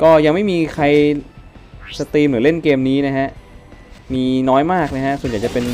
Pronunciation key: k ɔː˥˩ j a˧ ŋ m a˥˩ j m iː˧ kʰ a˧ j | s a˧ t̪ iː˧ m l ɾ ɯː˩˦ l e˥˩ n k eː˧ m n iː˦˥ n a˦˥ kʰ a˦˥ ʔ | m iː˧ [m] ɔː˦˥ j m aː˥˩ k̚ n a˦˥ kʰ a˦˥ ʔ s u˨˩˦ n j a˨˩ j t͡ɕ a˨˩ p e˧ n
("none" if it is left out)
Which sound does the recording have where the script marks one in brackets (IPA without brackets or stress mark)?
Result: n